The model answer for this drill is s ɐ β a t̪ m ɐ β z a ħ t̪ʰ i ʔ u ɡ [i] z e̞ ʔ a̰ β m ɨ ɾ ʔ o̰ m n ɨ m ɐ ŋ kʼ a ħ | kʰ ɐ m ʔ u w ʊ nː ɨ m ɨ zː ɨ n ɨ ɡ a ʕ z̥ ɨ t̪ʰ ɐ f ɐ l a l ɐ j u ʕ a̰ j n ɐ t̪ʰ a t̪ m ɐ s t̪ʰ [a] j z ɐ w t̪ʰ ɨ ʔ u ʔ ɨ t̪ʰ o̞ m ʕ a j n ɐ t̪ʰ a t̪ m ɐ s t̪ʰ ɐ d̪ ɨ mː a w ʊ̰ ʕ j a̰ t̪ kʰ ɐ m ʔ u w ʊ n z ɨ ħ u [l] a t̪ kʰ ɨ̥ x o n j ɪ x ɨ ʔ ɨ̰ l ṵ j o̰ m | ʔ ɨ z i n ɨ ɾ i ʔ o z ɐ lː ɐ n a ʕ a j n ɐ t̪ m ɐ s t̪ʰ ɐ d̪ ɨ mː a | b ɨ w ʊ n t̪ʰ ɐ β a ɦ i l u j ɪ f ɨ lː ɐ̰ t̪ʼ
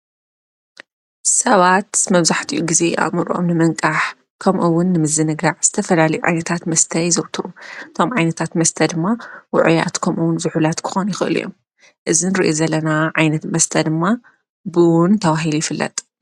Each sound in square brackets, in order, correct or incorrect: correct, incorrect: ɐ, correct

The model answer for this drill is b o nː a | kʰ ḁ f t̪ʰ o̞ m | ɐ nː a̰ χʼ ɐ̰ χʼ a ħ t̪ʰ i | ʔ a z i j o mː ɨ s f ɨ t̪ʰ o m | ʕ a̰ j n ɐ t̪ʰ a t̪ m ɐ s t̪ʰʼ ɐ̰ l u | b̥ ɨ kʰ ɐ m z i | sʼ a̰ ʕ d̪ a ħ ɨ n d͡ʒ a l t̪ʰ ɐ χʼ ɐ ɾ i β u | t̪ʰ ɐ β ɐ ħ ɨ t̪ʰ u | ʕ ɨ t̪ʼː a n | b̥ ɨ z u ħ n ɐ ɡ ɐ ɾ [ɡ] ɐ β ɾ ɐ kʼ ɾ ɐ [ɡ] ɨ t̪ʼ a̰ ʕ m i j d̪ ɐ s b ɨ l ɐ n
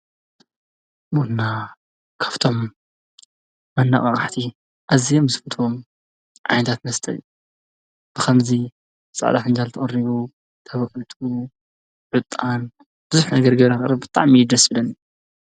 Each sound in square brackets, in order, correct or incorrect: correct, incorrect: b

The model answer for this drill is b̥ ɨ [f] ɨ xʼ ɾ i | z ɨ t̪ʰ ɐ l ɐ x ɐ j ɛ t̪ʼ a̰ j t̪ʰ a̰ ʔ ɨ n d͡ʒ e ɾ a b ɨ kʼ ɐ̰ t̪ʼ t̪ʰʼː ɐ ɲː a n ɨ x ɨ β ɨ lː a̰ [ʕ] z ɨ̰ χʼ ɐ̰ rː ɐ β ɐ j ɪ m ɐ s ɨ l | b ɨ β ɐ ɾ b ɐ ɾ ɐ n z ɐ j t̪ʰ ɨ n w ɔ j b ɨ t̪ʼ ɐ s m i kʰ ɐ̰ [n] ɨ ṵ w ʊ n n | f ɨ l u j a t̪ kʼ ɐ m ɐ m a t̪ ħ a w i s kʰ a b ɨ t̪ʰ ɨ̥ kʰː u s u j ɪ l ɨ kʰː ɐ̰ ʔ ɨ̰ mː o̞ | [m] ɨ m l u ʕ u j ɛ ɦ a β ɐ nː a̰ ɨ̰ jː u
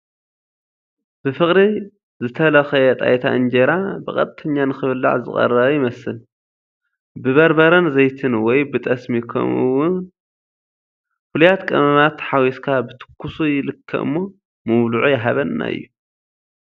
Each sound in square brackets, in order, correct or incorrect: correct, correct, incorrect: m, correct

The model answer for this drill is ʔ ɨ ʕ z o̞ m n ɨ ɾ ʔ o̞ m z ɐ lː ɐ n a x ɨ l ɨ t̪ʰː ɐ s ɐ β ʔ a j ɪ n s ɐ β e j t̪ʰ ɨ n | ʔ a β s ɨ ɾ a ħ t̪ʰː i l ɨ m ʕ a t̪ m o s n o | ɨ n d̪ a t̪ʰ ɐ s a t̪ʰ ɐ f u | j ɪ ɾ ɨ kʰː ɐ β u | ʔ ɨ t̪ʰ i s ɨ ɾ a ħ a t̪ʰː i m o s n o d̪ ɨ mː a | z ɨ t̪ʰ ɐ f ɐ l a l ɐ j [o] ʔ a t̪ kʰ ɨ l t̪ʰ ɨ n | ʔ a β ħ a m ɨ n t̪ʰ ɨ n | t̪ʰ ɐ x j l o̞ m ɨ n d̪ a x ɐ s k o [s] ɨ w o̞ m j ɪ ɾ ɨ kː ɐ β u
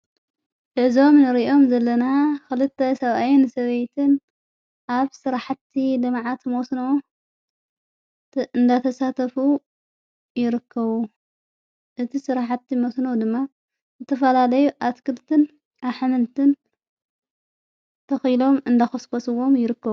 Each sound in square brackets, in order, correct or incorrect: incorrect: u, correct

